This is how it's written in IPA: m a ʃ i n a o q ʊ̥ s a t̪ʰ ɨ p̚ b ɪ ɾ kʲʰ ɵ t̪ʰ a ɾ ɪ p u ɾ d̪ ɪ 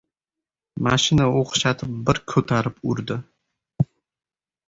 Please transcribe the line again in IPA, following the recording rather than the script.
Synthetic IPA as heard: m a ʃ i n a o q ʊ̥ ʃ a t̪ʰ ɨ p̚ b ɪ ɾ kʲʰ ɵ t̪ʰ a ɾ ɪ p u ɾ d̪ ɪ